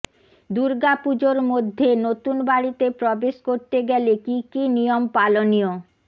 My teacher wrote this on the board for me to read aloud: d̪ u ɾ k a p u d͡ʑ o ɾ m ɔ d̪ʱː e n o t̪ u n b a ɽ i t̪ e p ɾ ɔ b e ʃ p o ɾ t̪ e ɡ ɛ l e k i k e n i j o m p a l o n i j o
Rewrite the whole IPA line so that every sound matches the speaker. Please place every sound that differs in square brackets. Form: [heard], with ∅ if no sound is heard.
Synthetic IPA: d̪ u ɾ [ɡ] a p u d͡ʑ o ɾ m [o] d̪ʱː e n o t̪ u n b a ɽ i t̪ e p ɾ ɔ b e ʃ [k] o ɾ t̪ e ɡ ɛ l e k i k [i] n i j o m p a l o n i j o